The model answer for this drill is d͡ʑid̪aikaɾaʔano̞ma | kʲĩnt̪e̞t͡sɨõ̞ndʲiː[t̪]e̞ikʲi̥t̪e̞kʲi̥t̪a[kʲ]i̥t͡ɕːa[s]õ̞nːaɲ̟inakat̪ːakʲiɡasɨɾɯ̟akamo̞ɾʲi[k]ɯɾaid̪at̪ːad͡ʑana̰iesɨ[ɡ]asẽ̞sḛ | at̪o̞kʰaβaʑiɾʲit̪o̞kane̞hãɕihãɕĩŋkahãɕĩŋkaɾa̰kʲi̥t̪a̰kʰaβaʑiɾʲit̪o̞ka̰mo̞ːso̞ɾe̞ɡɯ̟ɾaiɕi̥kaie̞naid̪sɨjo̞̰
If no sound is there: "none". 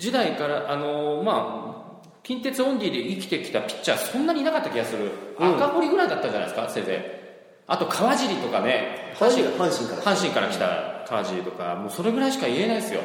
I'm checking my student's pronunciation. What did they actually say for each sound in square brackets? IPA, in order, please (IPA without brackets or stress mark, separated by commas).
d̪, pʲ, s, ɡ, k